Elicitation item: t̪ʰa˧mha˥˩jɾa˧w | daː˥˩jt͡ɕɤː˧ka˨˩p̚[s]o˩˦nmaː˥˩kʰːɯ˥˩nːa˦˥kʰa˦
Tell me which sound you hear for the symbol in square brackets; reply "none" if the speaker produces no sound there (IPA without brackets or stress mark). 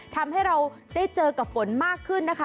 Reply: f